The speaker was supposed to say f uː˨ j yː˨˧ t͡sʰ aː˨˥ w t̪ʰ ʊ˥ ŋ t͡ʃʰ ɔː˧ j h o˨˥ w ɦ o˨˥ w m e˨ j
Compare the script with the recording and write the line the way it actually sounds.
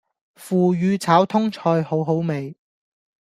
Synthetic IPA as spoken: f uː˨ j yː˨˧ t͡sʰ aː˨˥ w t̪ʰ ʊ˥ ŋ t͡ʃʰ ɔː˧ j h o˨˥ w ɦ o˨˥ w m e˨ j